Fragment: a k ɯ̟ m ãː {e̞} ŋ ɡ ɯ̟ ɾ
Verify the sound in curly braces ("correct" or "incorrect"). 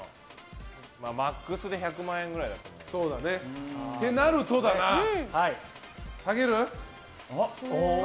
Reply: incorrect